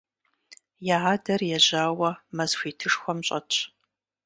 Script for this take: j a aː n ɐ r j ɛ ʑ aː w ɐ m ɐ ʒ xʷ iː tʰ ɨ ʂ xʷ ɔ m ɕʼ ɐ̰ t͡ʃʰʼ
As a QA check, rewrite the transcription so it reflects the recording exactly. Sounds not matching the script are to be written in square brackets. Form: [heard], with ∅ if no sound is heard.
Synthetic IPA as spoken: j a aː [d] ɐ r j ɛ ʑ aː w ɐ m ɐ [z] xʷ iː tʰ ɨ ʂ xʷ ɔ m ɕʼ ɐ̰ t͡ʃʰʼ